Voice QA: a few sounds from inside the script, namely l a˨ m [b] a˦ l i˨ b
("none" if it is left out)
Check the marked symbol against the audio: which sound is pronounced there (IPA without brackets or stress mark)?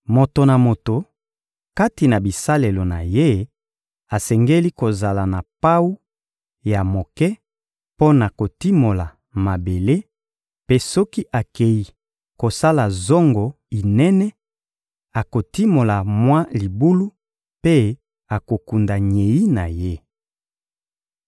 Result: w